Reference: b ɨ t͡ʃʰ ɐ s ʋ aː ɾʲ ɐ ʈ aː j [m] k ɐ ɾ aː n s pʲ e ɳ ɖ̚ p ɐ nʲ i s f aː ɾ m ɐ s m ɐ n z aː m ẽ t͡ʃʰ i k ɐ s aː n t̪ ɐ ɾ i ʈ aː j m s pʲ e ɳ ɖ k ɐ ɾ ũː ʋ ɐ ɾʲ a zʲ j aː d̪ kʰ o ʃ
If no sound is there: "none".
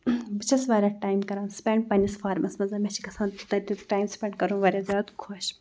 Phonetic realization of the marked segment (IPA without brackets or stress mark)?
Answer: m